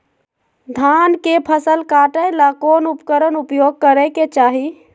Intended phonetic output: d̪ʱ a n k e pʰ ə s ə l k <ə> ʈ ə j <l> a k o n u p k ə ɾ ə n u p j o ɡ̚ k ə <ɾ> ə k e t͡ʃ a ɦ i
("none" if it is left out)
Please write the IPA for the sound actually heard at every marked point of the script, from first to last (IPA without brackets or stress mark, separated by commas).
a, l, ɾ